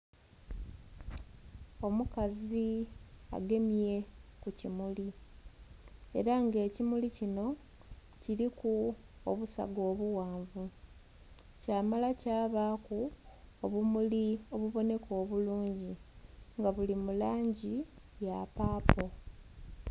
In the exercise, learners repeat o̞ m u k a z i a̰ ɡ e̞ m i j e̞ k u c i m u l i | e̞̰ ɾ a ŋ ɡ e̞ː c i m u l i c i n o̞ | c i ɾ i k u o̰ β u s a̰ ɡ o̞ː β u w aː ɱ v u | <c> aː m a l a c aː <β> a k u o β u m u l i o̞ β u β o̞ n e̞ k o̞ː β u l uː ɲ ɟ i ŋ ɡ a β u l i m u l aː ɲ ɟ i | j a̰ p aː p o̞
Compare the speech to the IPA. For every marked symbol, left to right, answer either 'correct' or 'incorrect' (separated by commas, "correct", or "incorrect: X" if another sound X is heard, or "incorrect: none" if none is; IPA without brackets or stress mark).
correct, correct